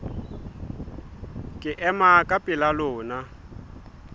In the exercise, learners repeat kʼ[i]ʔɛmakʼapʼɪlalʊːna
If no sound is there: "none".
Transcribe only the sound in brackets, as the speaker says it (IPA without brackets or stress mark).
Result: ɪ